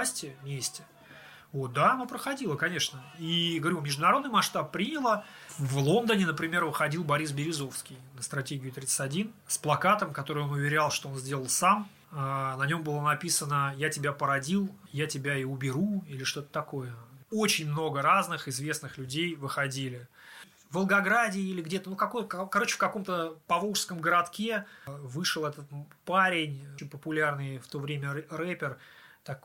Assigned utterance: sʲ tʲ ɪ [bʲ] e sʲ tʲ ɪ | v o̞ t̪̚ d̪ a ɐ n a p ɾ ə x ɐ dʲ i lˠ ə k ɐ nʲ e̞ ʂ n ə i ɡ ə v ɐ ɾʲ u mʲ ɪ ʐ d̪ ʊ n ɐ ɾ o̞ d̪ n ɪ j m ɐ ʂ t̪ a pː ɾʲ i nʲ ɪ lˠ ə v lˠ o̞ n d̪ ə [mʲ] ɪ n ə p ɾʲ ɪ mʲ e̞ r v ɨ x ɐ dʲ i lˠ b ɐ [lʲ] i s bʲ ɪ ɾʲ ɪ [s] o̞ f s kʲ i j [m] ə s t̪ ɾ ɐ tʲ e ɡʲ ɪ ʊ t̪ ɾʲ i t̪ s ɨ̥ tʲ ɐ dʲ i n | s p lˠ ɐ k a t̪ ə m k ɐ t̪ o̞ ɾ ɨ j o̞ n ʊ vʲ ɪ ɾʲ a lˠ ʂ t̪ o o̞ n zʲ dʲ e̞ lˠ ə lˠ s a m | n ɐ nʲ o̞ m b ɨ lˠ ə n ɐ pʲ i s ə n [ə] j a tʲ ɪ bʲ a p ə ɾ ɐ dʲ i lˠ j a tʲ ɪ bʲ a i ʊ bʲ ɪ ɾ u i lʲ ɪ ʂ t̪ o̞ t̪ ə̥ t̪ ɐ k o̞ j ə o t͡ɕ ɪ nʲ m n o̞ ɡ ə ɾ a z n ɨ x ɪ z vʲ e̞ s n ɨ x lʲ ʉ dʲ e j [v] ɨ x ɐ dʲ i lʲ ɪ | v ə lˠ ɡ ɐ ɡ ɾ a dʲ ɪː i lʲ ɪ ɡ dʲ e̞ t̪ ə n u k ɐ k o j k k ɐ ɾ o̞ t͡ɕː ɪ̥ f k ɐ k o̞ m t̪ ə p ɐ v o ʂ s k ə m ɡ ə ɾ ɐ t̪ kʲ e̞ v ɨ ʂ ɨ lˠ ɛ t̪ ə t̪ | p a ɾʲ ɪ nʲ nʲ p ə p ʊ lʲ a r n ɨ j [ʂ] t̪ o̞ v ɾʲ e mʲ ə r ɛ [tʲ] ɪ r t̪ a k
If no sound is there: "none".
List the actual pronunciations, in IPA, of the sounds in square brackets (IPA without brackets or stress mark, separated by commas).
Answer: mʲ, nʲ, ɾʲ, z, n, ə, v, f, pʲ